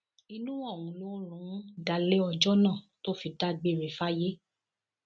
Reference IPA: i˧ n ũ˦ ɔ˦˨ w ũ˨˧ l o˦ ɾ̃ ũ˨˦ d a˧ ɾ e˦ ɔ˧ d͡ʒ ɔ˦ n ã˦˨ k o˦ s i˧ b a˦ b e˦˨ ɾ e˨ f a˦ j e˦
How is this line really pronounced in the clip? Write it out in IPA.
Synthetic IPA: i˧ n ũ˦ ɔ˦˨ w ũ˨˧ l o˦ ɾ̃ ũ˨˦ d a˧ l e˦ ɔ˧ d͡ʒ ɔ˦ n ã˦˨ t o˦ f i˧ d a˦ ɡ͡b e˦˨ ɾ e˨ f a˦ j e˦